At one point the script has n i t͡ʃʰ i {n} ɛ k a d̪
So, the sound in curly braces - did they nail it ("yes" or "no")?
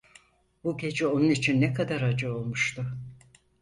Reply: no